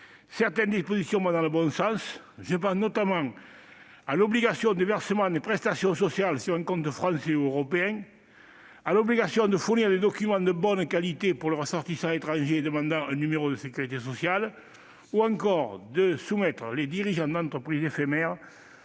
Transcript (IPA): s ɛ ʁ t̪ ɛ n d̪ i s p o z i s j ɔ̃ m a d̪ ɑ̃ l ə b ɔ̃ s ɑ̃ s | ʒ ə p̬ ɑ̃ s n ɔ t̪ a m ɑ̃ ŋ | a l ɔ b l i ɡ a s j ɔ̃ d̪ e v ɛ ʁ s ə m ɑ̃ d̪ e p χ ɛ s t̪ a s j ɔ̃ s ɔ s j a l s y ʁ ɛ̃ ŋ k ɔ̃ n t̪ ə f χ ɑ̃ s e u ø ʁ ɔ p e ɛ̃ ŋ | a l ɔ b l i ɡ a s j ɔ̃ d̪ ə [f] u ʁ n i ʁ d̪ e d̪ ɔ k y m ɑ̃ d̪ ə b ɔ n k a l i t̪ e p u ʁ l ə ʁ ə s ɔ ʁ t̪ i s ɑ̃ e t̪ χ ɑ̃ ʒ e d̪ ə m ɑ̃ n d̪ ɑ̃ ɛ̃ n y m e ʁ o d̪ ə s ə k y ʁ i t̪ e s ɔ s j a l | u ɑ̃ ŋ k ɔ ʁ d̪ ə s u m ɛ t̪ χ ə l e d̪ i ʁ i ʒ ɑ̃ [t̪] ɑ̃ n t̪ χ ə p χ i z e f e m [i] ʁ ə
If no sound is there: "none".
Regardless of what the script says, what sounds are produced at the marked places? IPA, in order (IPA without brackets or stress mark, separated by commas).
f, d̪, ɛ